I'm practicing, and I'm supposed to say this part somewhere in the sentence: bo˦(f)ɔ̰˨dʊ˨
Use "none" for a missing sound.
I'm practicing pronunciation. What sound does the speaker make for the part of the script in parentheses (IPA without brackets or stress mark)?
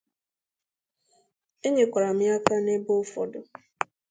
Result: f